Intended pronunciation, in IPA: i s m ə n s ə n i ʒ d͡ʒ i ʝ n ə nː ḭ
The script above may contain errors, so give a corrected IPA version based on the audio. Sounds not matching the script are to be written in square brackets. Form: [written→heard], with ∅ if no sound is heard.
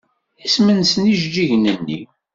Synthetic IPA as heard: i s m ə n s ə n i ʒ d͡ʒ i ʝ n ə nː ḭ